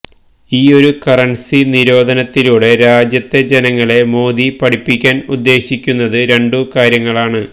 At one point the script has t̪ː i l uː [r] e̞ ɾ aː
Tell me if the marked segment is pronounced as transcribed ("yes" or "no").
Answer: no